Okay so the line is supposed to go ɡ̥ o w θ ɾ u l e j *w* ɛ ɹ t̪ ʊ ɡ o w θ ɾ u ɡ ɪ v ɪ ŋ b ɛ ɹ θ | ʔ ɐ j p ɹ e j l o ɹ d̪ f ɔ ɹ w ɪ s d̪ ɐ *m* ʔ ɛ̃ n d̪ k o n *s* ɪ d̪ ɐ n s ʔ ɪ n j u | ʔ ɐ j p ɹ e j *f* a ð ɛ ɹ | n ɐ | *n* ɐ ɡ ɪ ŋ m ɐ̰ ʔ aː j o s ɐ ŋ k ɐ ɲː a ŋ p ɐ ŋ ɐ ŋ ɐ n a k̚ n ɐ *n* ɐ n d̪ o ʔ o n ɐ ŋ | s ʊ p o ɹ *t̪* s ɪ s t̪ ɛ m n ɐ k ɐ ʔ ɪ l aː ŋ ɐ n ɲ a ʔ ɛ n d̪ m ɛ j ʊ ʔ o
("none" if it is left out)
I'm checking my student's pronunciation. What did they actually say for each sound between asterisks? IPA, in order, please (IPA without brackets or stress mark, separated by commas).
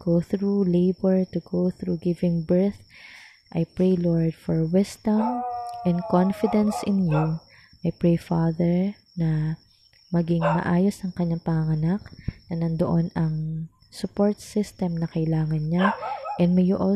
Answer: b, m, f, f, m, n, t̪